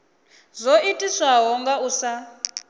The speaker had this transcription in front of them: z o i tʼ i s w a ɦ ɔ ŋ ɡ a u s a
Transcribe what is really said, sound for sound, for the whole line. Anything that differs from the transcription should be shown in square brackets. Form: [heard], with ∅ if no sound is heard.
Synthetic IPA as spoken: z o i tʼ i s w a ɦ ɔ ŋ ɡ a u s a